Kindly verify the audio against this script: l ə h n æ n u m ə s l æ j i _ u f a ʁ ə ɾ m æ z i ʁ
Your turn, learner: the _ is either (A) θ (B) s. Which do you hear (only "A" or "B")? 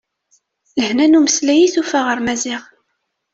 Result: A